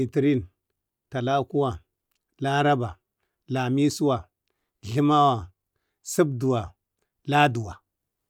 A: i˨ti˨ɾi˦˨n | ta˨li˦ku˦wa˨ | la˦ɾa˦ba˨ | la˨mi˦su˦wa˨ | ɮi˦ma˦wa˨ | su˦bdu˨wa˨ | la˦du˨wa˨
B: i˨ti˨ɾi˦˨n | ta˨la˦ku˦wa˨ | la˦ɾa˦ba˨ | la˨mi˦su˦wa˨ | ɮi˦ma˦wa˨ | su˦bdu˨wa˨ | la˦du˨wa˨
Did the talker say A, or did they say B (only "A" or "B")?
B